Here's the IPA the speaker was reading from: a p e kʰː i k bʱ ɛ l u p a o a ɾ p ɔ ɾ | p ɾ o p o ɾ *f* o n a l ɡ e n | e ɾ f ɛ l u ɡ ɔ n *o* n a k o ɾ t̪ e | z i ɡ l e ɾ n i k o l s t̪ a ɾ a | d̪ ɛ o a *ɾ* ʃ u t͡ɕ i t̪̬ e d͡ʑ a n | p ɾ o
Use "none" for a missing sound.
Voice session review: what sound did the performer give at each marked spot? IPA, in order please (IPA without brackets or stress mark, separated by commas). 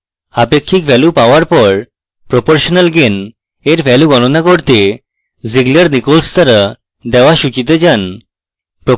ʃ, o, none